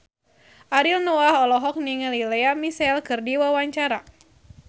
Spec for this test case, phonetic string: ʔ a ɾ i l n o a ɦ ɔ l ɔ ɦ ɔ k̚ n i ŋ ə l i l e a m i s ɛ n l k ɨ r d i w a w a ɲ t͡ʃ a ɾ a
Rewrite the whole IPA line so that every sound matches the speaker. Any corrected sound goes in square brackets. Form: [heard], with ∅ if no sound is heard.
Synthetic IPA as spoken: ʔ a ɾ i l n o a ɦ ɔ l ɔ ɦ ɔ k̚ n i ŋ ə l i l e a m i s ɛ [∅] l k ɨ r d i w a w a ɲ t͡ʃ a ɾ a